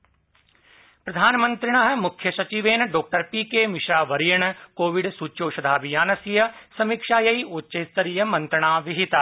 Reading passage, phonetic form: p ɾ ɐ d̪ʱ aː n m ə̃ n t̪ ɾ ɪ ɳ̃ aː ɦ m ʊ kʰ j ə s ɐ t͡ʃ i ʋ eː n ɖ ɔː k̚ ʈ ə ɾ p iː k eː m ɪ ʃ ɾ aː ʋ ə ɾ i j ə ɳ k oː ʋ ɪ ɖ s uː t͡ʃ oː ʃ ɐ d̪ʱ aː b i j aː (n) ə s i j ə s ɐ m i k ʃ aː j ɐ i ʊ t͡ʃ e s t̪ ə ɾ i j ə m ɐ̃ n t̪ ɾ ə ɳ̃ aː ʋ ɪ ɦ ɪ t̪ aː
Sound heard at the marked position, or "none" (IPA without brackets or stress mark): n